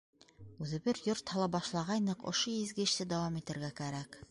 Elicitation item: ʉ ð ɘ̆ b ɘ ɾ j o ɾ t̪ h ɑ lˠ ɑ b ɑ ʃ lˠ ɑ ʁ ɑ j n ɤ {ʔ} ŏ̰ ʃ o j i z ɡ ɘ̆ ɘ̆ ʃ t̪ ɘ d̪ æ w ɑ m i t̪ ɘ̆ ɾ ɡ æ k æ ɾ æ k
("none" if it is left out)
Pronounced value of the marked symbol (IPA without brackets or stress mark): q